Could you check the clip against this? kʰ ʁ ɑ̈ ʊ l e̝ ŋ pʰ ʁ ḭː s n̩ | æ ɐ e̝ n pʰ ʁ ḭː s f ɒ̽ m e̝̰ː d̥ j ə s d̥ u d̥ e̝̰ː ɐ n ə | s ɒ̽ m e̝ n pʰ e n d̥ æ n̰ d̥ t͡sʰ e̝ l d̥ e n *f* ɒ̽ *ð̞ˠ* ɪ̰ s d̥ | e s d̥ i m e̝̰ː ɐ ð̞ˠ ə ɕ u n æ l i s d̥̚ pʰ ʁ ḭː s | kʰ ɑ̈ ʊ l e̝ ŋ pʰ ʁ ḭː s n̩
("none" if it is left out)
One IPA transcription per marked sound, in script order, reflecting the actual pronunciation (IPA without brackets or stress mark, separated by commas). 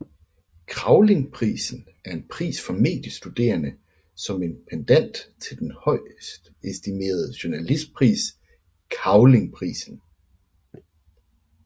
h, none